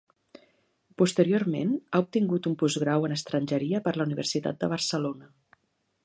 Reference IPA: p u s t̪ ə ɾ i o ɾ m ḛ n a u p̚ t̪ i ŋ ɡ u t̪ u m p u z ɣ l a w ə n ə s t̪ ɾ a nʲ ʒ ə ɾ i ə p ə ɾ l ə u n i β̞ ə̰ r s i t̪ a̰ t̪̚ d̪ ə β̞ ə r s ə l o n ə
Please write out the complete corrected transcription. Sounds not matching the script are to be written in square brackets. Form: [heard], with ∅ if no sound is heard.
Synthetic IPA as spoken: p u s t̪ ə ɾ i o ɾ m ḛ n a u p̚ t̪ i ŋ ɡ u t̪ u m p u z ɣ [ɾ] a w ə n ə s t̪ ɾ [ə] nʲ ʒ ə ɾ i ə p ə ɾ l ə u n i β̞ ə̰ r s i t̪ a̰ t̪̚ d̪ ə β̞ ə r s ə l o n ə